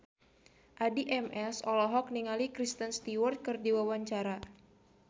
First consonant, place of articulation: glottal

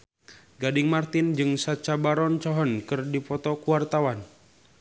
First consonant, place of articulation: velar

